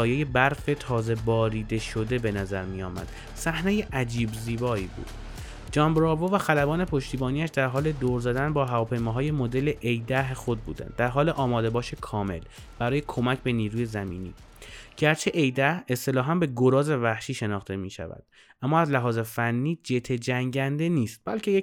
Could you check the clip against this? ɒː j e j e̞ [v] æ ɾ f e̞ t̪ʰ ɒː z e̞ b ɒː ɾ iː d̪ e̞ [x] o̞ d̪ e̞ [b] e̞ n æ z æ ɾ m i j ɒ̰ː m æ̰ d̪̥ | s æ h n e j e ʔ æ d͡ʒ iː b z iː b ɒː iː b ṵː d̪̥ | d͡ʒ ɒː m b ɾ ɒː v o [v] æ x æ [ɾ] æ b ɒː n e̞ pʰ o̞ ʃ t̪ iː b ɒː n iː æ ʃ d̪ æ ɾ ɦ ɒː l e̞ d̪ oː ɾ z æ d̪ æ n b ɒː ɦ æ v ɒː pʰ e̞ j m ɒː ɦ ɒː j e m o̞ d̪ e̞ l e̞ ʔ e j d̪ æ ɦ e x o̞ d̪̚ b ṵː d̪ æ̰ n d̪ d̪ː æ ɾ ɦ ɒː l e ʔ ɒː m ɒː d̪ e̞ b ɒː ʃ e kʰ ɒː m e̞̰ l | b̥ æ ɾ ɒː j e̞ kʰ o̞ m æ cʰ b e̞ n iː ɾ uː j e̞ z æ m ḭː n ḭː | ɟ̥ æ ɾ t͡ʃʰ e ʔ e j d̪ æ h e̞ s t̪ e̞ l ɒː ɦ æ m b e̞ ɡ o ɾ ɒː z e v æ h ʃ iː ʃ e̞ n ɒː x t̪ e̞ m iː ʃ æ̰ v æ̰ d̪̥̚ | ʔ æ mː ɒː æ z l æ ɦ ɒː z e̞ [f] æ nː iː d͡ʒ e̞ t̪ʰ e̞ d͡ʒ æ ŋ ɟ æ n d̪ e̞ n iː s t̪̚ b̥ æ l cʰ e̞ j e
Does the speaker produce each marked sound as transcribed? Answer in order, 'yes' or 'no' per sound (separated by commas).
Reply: no, no, yes, yes, no, yes